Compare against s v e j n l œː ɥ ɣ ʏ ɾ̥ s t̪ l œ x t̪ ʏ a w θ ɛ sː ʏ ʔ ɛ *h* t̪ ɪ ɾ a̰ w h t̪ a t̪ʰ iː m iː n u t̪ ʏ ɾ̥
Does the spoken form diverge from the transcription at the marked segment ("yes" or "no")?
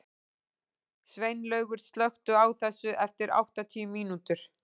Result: yes